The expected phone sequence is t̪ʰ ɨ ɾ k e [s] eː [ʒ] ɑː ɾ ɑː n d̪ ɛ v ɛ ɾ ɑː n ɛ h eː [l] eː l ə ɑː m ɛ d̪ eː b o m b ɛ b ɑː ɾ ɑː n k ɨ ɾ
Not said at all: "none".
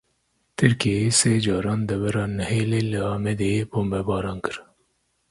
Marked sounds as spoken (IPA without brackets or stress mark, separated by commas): s, d͡ʒ, l